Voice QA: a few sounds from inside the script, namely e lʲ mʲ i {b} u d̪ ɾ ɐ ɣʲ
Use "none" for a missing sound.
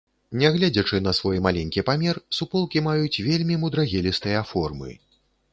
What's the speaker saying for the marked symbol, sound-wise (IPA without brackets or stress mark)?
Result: m